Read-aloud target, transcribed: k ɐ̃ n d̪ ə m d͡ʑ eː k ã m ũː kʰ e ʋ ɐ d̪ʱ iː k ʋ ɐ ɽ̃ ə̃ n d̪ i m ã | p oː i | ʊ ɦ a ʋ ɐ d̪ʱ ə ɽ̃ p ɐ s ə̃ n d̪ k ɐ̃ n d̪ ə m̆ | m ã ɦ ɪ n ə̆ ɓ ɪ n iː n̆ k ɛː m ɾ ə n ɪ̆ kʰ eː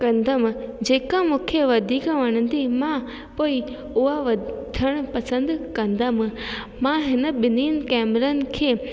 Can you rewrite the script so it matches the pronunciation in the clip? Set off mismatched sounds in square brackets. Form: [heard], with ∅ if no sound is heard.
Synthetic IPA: k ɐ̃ n d̪ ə m d͡ʑ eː k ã m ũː kʰ e ʋ ɐ d̪ʱ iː k ʋ ɐ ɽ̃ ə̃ n d̪ i m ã | p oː i | ʊ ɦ a ʋ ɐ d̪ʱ ə ɽ̃ p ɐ s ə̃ n d̪ k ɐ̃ n d̪ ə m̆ | m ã ɦ ɪ n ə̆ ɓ ɪ n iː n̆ k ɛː m ɾ ə n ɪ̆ kʰ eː